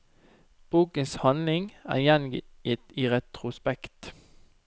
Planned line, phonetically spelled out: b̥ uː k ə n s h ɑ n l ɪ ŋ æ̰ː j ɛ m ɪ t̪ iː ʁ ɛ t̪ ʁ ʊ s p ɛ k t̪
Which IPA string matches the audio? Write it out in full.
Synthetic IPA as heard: b̥ uː k ə n s h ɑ n l ɪ ŋ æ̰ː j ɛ n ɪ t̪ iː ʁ ɛ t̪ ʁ ʊ s p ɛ k t̪